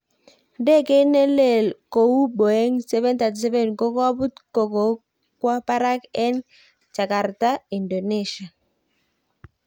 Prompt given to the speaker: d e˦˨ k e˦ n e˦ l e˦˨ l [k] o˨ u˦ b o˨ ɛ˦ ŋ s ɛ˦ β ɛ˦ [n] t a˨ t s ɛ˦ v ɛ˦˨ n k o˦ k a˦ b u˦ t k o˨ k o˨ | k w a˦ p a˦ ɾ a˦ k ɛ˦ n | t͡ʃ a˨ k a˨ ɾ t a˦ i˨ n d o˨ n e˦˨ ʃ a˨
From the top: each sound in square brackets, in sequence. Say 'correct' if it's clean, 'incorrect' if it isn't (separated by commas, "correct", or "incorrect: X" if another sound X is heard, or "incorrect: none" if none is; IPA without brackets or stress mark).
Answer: correct, correct